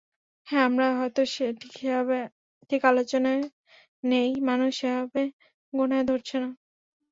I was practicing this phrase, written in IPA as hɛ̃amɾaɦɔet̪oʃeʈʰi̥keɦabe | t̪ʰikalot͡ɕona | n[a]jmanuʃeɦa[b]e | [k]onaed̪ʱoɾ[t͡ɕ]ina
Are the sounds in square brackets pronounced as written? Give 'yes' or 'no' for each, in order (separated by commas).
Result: no, yes, no, no